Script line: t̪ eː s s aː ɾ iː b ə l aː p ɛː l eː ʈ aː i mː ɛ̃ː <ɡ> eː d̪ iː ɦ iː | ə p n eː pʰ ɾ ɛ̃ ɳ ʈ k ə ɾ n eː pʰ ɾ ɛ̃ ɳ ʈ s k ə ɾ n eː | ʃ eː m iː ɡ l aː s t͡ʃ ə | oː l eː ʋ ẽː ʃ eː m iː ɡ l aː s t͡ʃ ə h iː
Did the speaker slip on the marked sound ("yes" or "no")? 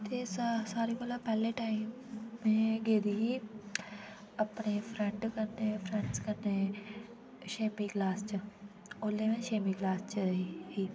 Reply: no